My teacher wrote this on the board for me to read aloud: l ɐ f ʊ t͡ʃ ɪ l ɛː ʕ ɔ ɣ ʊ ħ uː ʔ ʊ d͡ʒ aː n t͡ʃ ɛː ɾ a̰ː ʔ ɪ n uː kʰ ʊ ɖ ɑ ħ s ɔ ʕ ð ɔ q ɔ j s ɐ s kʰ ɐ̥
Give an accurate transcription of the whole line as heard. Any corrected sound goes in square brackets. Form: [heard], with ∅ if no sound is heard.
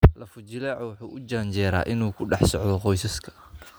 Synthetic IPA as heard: l ɐ f ʊ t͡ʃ ɪ l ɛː ʕ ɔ [w] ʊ ħ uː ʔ ʊ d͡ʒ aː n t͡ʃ ɛː ɾ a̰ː ʔ ɪ n uː kʰ ʊ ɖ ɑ ħ s ɔ ʕ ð ɔ q ɔ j s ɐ s kʰ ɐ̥